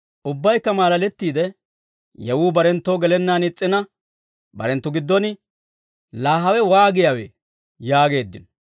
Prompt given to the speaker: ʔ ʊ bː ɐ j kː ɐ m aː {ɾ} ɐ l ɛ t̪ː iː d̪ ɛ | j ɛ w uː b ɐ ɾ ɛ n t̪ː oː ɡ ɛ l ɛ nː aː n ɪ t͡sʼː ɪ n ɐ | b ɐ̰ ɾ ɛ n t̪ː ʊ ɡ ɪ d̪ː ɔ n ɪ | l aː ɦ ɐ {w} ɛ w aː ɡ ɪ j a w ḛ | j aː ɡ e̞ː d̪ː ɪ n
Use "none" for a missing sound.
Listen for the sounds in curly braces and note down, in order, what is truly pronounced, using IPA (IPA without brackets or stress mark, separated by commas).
l, w